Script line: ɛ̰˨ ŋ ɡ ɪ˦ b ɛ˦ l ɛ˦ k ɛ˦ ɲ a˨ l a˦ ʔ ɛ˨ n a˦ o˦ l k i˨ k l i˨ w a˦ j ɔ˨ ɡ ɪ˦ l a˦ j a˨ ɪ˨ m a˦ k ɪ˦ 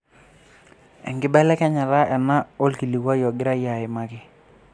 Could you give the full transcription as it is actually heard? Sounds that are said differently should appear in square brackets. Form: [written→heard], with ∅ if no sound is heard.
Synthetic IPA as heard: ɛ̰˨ ŋ ɡ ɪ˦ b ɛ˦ l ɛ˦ k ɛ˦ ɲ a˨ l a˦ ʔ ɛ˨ n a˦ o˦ l k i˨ [k→∅] l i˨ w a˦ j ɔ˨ ɡ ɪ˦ [l→ɾ] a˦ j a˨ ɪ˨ m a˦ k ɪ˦